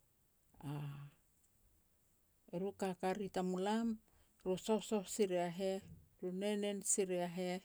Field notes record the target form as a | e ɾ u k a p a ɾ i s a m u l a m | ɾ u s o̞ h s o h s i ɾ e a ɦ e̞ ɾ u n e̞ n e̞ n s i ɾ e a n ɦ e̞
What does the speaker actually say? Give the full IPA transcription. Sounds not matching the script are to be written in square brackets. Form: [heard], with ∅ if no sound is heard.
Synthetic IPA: a | e ɾ u k a [k] a ɾ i [t] a m u l a m | ɾ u s o̞ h s o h s i ɾ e a ɦ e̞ ɾ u n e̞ n e̞ n s i ɾ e a [∅] ɦ e̞